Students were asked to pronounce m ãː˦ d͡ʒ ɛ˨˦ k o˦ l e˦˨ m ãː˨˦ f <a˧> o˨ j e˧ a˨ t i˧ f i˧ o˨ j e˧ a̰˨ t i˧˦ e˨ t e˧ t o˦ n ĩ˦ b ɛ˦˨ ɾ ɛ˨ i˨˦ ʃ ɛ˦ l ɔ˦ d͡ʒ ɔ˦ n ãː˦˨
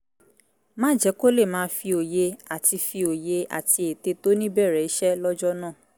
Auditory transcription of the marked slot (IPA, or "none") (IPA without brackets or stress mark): i˧